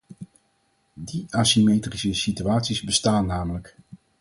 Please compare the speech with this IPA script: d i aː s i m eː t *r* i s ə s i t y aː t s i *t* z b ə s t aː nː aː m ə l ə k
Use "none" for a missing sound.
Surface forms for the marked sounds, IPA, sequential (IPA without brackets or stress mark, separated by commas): r, none